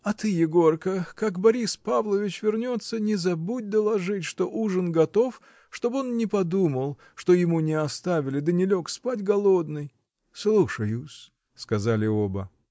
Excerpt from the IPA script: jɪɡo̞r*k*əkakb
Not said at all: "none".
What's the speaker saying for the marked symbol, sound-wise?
k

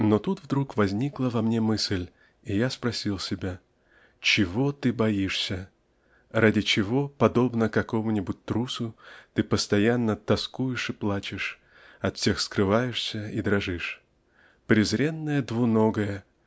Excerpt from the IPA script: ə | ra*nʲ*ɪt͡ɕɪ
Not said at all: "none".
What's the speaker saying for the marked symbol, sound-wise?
dʲ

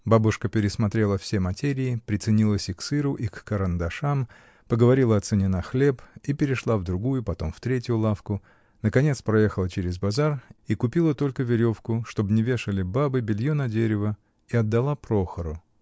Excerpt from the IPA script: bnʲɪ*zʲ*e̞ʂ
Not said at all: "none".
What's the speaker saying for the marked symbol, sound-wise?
vʲ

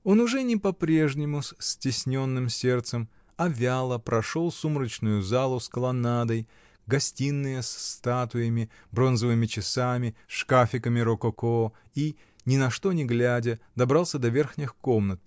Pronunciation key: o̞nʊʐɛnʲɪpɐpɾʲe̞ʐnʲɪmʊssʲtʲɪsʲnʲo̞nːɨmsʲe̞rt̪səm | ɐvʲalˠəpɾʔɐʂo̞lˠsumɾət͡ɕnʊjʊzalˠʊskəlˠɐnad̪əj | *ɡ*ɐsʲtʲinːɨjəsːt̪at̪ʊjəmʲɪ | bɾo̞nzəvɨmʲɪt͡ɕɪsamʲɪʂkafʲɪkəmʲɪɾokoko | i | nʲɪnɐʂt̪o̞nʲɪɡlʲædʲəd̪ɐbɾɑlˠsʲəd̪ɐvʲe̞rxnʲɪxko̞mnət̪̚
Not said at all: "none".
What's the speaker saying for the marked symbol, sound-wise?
ɡ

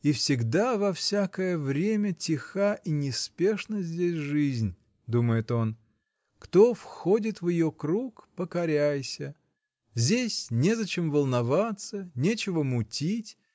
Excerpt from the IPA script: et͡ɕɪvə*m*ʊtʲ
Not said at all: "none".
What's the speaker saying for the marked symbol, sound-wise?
m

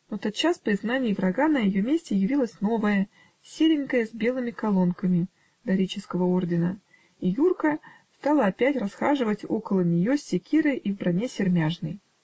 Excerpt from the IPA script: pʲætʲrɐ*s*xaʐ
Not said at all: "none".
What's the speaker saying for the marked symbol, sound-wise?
s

